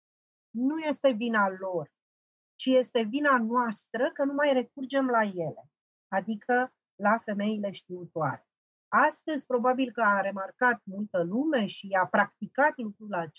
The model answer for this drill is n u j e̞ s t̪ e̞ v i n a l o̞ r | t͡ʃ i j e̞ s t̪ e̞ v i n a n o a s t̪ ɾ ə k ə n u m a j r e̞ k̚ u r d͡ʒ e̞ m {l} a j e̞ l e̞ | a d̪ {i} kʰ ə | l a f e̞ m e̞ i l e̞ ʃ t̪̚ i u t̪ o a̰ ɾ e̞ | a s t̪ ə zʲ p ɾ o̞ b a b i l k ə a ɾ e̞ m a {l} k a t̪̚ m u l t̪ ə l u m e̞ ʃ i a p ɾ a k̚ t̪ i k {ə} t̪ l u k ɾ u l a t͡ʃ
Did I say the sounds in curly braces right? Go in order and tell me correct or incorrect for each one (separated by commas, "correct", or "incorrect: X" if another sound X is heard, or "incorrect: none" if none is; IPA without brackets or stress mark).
correct, correct, incorrect: r, incorrect: a